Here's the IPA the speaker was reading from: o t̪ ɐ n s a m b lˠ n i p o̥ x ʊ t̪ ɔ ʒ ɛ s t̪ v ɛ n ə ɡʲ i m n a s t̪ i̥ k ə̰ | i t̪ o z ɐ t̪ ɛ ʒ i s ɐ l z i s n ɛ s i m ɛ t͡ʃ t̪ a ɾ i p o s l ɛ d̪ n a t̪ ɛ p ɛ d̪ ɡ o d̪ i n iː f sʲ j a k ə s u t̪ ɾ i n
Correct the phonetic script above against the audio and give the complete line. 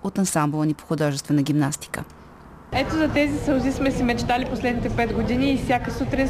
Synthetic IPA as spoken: o t̪ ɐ n s a m b lˠ n i p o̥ x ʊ d̪ ɔ ʒ ɛ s t̪ v ɛ n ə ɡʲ i m n a s t̪ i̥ k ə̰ | ɛ t̪ o z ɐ t̪ ɛ z i s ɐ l z i s m ɛ s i m ɛ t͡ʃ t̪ a l i p o s l ɛ d̪ n i t̪ ɛ p ɛ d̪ ɡ o d̪ i n iː f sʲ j a k ə s u t̪ ɾ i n